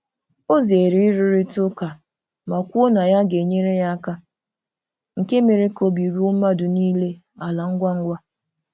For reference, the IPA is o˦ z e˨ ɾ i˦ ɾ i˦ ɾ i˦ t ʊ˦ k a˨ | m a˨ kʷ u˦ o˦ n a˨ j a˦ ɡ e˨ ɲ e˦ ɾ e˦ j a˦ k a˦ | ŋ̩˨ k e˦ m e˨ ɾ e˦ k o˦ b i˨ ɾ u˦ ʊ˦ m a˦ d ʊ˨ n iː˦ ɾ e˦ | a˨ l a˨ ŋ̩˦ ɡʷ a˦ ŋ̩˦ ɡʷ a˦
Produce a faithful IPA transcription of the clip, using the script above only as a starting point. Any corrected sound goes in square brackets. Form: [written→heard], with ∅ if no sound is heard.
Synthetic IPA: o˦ z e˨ ɾ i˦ ɾ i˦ ɾ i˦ t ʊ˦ k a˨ | m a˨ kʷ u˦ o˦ n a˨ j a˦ ɡ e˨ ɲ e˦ ɾ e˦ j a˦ k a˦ | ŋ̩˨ k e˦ m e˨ ɾ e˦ k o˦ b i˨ ɾ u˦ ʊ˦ m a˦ d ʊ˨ n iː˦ [ɾ→l] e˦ | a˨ l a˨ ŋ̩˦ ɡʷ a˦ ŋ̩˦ ɡʷ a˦